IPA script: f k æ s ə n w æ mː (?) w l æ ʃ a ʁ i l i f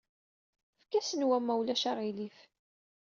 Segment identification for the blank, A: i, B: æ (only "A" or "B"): B